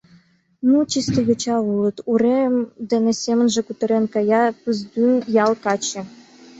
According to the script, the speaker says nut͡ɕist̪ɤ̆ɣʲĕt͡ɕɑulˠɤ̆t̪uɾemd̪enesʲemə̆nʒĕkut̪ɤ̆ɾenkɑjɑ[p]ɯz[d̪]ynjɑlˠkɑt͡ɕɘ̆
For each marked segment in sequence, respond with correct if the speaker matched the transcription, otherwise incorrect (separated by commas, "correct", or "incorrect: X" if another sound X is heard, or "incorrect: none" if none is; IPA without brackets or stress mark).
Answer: correct, correct